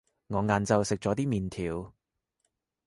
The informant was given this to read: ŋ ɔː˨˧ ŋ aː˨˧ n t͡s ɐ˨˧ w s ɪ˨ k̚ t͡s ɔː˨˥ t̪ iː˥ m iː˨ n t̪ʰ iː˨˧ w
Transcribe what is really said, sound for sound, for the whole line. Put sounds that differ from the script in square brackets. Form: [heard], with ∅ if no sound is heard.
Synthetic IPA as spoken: ŋ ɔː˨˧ ŋ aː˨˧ n t͡s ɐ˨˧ w s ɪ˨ k̚ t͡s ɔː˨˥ t̪ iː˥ m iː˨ n t̪ʰ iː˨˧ w